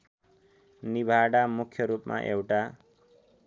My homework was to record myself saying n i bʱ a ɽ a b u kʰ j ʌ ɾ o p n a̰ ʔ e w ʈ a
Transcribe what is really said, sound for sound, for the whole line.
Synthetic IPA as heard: n i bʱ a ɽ a m u kʰ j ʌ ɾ u p m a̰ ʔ e w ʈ a

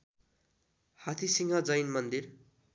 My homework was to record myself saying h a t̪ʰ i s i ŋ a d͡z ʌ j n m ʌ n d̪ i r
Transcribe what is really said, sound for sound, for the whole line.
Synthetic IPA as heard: h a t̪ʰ i s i ŋ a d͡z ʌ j n m ʌ n d̪ i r

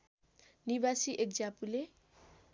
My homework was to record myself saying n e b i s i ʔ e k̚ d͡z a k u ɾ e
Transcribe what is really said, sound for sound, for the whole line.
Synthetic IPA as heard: n i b a s i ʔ e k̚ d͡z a p u l e

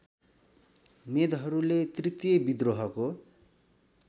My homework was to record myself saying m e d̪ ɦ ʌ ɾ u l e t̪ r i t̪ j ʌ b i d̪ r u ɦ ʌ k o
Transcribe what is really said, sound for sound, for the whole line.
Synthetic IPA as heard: m e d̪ ɦ ʌ ɾ u l e t̪ r i t̪ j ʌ b i d̪ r o ɦ ʌ k o

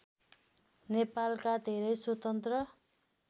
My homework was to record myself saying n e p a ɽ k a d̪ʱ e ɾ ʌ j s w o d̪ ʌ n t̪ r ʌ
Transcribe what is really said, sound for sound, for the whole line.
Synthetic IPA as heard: n e p a l k a d̪ʱ e ɾ ʌ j s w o t̪ ʌ n t̪ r ʌ

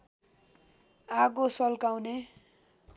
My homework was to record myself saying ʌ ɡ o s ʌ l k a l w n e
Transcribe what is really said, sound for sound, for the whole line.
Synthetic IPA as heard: a ɡ o s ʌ l k a w n e

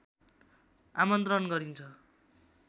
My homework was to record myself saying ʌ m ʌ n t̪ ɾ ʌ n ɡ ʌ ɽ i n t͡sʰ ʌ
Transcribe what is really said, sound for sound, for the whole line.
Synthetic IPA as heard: a m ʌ n t̪ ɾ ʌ n ɡ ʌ ɾ i n t͡sʰ ʌ

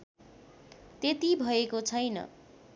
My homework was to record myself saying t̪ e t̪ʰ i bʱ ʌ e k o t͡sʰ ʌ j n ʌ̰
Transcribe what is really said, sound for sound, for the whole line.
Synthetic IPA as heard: t̪ e t̪ i bʱ ʌ e k o t͡sʰ ʌ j n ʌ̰

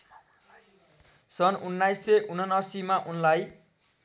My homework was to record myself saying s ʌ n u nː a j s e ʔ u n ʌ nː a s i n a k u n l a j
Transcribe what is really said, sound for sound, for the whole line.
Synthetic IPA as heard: s ʌ n u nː a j s e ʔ u n ʌ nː ʌ s i m a ʔ u n l a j

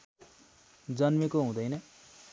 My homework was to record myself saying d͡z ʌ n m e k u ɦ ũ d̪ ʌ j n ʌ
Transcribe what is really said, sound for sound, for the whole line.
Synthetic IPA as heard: d͡z ʌ n m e k o ɦ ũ d̪ ʌ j n ʌ

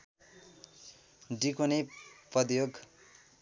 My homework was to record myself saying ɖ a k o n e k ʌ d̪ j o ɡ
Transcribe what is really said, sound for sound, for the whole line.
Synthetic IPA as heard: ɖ i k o n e p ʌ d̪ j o ɡ

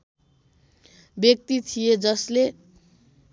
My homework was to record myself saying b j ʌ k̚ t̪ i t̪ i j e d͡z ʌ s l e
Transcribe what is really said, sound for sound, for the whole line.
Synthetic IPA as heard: b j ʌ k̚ t̪ i t̪ʰ i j e d͡z ʌ s l e

